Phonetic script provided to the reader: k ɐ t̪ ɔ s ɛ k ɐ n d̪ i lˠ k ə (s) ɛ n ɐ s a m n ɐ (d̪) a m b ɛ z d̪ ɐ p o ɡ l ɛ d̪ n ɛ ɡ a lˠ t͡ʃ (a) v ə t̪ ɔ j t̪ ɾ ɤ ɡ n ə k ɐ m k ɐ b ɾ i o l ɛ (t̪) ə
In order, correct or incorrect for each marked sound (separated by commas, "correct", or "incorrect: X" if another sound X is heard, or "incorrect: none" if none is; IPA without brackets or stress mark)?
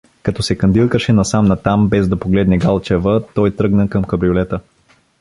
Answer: incorrect: ʃ, incorrect: t̪, incorrect: ɛ, correct